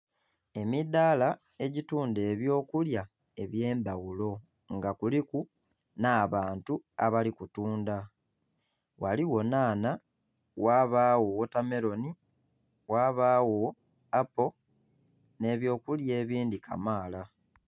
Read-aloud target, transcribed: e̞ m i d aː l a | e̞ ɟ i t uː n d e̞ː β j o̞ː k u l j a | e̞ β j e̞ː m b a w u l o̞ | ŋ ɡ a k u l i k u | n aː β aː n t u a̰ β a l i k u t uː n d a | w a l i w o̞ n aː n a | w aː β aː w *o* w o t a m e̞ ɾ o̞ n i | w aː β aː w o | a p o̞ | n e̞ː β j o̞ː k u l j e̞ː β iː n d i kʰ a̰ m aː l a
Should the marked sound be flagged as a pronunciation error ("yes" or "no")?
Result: no